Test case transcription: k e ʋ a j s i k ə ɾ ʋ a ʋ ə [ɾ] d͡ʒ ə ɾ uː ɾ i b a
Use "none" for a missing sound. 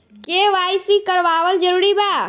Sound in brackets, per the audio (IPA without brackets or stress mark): l